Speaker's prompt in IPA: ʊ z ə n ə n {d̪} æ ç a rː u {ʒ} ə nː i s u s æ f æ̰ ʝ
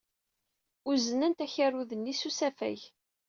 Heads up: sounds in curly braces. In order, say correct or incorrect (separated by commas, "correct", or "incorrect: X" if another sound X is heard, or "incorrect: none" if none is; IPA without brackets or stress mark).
incorrect: t̪, incorrect: ð